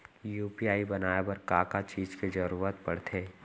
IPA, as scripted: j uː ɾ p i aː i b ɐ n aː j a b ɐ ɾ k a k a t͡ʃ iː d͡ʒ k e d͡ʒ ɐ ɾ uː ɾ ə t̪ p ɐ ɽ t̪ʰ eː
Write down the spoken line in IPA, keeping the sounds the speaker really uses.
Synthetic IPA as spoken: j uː p i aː i b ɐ n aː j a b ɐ ɾ k a k a t͡ʃ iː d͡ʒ k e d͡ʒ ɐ ɾ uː ɾ ə t̪ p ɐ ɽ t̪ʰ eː